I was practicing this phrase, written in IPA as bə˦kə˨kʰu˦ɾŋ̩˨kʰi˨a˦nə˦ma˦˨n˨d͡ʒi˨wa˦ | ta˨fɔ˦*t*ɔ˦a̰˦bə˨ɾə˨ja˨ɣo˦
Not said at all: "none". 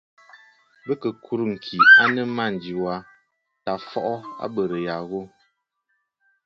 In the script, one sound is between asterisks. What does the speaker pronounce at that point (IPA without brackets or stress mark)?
ʔ